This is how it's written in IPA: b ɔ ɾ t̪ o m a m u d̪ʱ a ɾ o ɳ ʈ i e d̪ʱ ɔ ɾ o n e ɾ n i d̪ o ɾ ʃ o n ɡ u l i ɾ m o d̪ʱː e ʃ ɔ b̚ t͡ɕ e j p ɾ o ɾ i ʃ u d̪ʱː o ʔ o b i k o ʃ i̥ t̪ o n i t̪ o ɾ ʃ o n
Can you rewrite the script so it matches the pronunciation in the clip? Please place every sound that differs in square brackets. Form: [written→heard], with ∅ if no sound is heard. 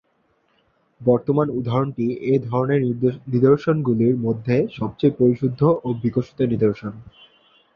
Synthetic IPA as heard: b ɔ ɾ t̪ o m a [m→n] u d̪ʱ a ɾ o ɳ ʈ i e d̪ʱ ɔ ɾ o n e ɾ n i d̪ o ɾ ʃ o n ɡ u l i ɾ m o d̪ʱː e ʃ ɔ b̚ t͡ɕ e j p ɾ o ɾ i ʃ u d̪ʱː o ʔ o b i k o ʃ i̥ t̪ o n i [t̪→d̪] o ɾ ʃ o n